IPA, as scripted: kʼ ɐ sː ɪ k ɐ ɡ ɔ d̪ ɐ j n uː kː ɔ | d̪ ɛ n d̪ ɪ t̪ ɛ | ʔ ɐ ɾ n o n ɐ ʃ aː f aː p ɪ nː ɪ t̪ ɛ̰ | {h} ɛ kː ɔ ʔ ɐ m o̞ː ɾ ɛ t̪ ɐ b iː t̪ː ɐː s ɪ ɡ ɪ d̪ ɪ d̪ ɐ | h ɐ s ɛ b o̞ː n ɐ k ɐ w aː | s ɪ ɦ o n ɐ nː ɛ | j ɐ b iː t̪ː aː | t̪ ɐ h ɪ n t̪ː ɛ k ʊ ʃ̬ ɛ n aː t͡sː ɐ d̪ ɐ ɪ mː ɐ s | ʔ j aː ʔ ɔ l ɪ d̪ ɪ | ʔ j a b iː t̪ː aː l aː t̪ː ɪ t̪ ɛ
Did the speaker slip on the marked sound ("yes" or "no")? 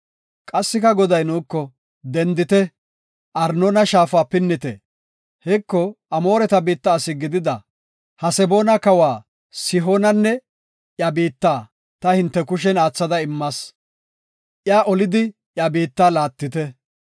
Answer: no